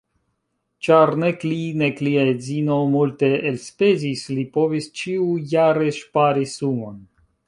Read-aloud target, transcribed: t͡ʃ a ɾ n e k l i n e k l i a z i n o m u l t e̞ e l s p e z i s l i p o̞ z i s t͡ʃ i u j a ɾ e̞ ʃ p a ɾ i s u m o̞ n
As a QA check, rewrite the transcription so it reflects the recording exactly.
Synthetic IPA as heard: t͡ʃ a ɾ n e k l i n e k l i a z i n o m u l t e̞ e l s p e z i s l i p o̞ v i s t͡ʃ i u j a ɾ e̞ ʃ p a ɾ i s u m o̞ n